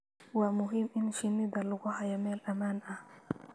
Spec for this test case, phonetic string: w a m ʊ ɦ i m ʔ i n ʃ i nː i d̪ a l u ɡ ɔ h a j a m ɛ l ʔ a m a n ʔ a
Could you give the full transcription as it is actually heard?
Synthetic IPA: w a m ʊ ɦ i m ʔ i n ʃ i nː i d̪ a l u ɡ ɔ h a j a m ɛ l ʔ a m a n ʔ a